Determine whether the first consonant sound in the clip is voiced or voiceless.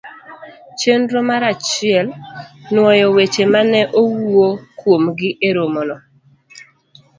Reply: voiceless